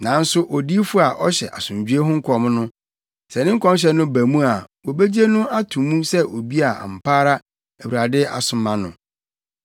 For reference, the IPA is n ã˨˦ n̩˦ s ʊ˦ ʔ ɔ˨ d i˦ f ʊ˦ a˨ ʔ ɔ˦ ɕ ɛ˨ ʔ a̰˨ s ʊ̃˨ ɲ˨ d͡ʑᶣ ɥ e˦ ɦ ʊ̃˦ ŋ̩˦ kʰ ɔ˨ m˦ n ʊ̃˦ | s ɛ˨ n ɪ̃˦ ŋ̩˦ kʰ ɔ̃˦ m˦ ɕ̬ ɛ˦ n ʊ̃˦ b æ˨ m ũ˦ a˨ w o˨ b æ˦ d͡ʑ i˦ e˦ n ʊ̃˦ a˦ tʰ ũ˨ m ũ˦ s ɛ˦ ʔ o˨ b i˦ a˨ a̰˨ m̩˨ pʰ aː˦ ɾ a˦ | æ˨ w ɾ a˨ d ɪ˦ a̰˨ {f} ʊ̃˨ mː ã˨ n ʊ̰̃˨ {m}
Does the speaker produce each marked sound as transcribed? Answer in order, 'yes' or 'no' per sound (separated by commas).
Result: no, no